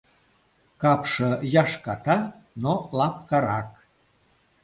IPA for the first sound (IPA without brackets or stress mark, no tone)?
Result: k